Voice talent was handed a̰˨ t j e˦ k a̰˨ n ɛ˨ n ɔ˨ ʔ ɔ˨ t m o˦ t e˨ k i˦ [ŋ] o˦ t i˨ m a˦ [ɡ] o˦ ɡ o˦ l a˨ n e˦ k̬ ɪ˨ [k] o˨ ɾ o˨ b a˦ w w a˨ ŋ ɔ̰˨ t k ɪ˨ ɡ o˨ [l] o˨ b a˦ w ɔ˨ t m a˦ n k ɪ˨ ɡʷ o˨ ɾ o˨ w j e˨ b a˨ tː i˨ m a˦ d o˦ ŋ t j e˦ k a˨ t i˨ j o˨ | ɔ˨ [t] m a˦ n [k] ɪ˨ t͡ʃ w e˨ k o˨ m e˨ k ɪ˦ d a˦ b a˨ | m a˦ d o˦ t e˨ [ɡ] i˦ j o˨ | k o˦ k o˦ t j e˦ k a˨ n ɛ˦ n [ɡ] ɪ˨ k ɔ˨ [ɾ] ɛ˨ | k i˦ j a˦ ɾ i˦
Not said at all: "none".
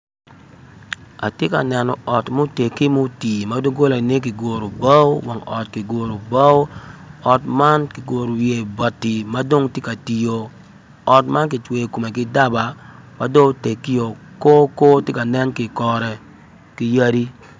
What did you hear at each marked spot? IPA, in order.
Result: m, d, ɡ, ɾ, t, k, k, k, ɾ

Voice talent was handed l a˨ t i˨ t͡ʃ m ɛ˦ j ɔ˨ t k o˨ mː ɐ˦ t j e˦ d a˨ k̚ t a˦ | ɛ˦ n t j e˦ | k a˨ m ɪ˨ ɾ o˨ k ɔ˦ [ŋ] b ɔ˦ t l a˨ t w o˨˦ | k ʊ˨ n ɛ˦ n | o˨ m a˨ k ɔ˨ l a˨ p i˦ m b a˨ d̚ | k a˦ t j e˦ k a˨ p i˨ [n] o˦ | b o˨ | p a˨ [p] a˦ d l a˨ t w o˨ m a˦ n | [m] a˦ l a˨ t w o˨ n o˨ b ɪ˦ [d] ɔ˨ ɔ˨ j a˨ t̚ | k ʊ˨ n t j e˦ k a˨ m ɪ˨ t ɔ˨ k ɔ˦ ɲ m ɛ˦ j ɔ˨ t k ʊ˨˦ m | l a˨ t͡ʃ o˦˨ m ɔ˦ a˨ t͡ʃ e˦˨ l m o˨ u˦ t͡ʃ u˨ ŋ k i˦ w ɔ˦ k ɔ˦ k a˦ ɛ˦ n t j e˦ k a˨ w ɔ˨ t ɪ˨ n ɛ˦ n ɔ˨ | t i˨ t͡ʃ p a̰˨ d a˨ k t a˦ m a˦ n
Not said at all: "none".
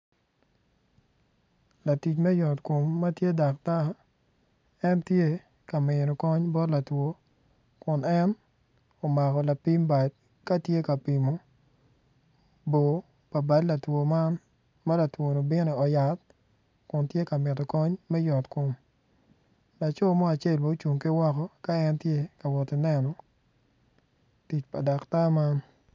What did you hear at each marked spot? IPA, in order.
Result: ɲ, m, b, m, n

